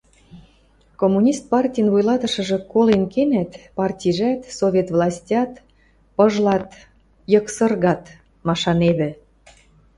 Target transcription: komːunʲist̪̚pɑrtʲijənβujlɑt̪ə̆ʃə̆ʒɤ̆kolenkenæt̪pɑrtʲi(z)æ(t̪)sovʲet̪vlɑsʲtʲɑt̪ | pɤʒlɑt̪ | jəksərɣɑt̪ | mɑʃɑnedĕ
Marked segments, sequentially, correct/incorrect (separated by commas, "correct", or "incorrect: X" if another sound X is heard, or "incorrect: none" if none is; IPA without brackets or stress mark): incorrect: ʒ, correct